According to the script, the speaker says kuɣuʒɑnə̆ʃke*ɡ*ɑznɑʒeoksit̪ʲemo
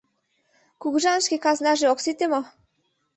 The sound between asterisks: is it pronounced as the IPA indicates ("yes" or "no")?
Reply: no